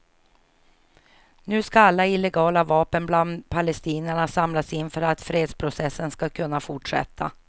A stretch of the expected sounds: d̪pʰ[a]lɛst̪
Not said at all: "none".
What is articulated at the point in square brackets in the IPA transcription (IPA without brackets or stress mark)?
a